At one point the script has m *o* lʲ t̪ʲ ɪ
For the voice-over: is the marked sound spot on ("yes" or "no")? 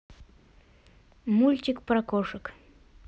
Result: no